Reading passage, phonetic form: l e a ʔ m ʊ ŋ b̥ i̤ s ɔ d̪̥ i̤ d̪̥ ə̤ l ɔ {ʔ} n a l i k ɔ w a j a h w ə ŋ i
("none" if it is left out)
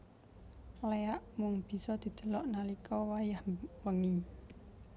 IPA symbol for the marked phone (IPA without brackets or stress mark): ʔ